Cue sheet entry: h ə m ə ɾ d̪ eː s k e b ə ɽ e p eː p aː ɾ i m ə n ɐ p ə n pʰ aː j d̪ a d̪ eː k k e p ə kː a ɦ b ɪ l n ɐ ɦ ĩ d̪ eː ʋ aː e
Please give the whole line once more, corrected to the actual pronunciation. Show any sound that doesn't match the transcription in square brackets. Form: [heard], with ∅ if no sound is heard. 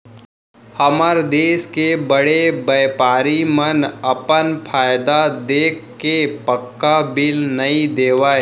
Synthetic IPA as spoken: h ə m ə ɾ d̪ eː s k e b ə ɽ e [b] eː p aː ɾ i m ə n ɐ p ə n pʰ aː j d̪ a d̪ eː k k e p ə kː a [∅] b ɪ l n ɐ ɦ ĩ d̪ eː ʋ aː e